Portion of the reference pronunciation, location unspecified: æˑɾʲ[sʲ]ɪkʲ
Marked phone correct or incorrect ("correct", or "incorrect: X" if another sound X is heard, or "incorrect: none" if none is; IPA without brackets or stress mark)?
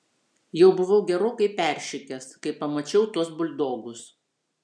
incorrect: ʃʲ